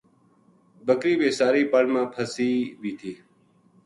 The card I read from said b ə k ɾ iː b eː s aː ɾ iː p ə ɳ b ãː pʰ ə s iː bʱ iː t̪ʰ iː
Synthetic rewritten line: b ə k ɾ iː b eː s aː ɾ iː p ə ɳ m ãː pʰ ə s iː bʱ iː t̪ʰ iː